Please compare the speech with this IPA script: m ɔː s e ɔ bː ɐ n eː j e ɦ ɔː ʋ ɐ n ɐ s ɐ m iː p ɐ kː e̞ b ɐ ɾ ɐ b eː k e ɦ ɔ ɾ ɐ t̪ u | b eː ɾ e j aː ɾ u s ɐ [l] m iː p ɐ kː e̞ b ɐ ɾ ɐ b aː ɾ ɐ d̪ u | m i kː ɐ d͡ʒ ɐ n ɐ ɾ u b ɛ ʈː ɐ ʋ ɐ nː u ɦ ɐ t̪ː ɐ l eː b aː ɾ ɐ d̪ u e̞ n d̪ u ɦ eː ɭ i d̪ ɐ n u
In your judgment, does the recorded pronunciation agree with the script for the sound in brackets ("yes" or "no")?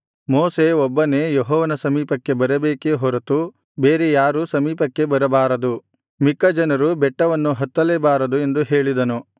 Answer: no